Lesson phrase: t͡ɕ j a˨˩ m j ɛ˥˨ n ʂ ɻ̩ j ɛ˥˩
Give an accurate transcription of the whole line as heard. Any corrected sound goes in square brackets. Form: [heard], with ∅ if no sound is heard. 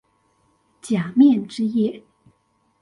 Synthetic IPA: t͡ɕ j a˨˩ m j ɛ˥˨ n [ʈ͡ʂ] ɻ̩ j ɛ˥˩